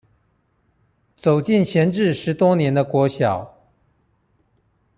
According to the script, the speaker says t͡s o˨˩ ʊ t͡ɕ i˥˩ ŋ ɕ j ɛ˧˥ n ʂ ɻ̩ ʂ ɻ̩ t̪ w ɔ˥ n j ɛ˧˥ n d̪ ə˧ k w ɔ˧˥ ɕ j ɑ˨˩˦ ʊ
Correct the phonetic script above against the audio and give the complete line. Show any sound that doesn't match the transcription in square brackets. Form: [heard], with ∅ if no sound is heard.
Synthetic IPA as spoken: t͡s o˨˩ ʊ t͡ɕ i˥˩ [n] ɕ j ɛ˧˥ n [ʈ͡ʂ] ɻ̩ ʂ ɻ̩ t̪ w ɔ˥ n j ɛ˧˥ n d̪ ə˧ k w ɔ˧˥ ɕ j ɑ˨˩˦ ʊ